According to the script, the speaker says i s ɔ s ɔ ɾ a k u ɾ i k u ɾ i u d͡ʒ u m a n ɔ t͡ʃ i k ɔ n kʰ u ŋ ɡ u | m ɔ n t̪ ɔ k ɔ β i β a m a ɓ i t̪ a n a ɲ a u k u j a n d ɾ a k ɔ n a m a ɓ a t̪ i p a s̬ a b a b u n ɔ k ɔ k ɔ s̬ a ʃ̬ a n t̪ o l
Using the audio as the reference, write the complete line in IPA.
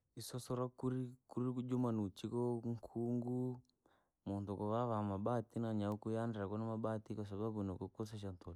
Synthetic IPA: i s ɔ s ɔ ɾ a k u ɾ i k u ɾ i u d͡ʒ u m a n u t͡ʃ i k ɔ ŋ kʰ u ŋ ɡ u | m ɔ n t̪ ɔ k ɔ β a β a m a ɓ a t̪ i n a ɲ a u k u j a n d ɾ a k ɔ n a m a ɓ a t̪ i k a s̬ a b a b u n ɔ k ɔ k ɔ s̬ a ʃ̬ a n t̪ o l